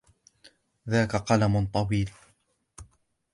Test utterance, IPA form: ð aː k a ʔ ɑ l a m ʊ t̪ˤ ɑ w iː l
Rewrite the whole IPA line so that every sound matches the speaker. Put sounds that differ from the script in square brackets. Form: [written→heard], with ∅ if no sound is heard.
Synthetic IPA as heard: ð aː k a [ʔ→q] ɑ l a m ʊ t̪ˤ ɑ w iː l